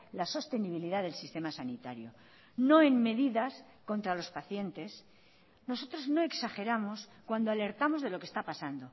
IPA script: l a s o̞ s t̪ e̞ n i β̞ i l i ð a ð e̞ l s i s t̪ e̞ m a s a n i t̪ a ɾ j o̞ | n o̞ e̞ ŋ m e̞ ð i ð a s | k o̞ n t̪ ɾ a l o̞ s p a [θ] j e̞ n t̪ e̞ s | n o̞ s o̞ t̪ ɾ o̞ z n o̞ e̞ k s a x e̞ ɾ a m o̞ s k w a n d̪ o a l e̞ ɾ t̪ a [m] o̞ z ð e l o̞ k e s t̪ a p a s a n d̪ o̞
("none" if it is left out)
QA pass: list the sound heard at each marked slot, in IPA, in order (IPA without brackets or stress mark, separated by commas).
θ, m